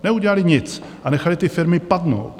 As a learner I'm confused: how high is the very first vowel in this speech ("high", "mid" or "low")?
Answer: mid